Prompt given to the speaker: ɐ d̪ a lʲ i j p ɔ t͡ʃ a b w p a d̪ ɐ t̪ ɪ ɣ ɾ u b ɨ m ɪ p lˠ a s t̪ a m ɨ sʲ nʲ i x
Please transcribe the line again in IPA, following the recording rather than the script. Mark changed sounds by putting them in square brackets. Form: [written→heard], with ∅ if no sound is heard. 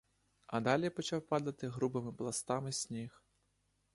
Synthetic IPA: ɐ d̪ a lʲ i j p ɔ t͡ʃ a [b→∅] w p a d̪ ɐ t̪ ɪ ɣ ɾ u b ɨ m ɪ p lˠ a s t̪ a m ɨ sʲ nʲ i x